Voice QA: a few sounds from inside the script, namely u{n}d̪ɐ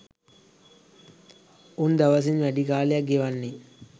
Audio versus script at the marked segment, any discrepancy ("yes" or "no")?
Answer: no